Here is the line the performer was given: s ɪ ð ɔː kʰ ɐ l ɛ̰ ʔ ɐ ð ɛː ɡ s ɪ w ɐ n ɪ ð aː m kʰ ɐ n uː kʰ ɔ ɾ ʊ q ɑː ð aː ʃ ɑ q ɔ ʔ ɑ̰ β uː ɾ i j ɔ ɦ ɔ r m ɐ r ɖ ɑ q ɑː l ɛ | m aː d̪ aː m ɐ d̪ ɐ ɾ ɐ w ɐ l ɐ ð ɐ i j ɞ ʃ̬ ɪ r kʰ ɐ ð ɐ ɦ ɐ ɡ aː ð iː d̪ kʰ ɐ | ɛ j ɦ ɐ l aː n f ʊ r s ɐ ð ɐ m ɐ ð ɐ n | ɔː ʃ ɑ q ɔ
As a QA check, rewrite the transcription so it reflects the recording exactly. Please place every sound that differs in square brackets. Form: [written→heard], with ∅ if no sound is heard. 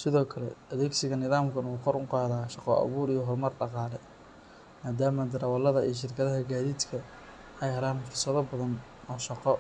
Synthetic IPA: s ɪ ð ɔː kʰ ɐ l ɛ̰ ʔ ɐ ð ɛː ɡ s ɪ [w→ɣ] ɐ n ɪ ð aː m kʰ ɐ n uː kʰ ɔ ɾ ʊ q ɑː ð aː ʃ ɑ q ɔ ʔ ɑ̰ β uː ɾ i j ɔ ɦ ɔ r m ɐ r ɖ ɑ q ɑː l ɛ | m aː d̪ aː m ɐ d̪ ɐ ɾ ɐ w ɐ l ɐ ð ɐ i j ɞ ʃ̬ ɪ r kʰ ɐ ð ɐ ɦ ɐ ɡ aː ð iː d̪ kʰ ɐ | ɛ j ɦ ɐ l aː n f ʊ r s ɐ ð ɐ [m→b] ɐ ð ɐ n | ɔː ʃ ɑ q ɔ